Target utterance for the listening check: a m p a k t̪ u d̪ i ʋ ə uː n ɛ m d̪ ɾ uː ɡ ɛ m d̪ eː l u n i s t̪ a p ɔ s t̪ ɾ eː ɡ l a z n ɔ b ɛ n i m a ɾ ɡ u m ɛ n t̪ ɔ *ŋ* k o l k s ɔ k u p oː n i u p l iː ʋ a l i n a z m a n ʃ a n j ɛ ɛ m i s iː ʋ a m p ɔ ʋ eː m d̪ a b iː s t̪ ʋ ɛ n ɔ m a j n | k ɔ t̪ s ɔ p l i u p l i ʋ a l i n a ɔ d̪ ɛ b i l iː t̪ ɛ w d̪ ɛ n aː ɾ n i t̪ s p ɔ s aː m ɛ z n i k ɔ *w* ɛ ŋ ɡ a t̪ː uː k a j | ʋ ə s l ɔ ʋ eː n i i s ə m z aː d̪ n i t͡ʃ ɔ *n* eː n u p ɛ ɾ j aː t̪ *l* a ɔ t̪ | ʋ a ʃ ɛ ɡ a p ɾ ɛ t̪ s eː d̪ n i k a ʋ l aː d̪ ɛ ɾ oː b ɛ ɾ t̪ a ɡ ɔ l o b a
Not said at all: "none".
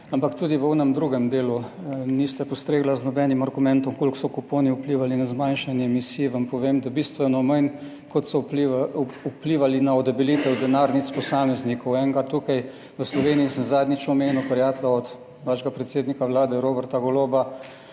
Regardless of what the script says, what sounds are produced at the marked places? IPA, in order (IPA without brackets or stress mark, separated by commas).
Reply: m, w, m, l